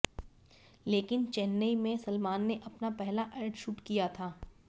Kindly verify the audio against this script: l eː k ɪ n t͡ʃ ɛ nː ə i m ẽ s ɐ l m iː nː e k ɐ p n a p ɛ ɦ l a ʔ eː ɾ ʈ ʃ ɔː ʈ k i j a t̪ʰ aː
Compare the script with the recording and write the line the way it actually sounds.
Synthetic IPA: l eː k ɪ n t͡ʃ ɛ nː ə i m ẽ s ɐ l m aː nː e ʔ ɐ p n a p ɛ ɦ l a ʔ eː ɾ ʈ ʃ uː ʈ k i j a t̪ʰ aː